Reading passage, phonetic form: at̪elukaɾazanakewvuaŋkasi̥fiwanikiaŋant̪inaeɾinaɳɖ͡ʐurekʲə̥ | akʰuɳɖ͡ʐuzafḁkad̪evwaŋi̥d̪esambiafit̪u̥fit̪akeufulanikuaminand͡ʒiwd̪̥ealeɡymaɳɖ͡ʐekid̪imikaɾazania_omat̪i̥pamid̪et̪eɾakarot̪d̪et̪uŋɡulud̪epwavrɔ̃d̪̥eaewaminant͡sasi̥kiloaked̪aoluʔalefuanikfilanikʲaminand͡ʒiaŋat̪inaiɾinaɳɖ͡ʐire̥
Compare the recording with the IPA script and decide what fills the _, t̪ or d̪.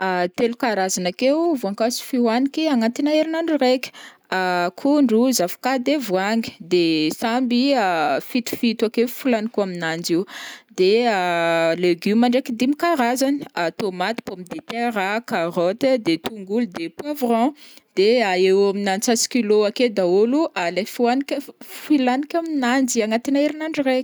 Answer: t̪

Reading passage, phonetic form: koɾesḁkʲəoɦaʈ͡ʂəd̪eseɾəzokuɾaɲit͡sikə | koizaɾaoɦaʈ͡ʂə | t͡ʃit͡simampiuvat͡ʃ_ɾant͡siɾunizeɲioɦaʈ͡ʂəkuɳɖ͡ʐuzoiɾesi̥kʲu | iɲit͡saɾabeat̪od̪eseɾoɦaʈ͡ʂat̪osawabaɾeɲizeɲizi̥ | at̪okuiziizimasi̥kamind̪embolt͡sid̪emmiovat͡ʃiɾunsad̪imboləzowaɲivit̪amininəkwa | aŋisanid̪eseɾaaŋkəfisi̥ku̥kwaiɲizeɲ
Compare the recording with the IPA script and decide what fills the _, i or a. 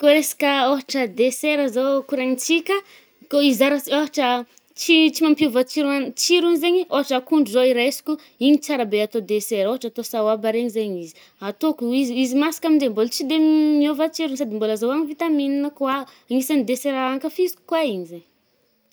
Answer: i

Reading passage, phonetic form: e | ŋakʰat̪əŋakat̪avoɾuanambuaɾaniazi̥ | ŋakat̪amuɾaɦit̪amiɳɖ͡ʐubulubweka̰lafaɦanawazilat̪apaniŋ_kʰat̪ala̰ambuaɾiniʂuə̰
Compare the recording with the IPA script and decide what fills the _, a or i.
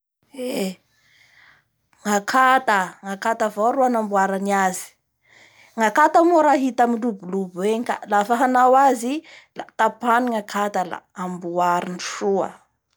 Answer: a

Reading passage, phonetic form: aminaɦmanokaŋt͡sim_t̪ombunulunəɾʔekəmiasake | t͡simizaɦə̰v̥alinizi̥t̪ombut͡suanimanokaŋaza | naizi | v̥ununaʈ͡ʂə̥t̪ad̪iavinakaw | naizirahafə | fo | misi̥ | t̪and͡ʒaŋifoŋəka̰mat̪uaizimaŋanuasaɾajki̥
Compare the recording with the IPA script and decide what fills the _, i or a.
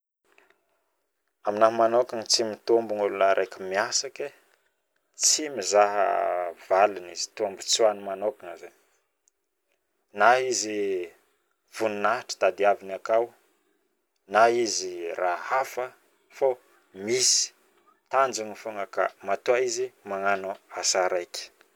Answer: i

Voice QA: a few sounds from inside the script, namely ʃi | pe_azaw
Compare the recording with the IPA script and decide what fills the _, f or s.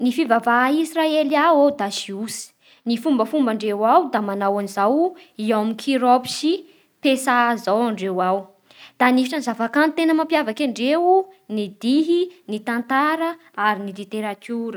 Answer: s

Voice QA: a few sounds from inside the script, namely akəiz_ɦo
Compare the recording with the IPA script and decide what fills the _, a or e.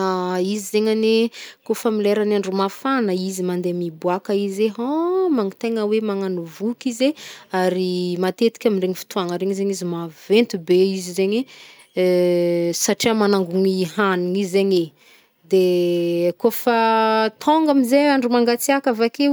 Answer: e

